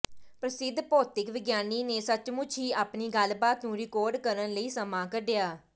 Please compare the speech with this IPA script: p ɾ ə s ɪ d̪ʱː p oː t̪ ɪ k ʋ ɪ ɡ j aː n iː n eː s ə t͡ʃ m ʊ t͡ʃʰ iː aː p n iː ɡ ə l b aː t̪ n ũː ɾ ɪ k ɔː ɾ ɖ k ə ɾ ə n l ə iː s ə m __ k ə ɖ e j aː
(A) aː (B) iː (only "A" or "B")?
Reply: A